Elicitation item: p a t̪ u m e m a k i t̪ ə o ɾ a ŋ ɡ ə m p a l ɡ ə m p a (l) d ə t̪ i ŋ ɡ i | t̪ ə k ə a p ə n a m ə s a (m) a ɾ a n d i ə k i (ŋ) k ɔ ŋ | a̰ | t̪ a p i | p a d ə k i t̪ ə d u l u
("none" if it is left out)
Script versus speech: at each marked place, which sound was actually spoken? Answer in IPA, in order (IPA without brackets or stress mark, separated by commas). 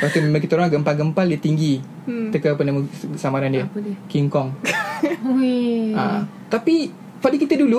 l, m, ŋ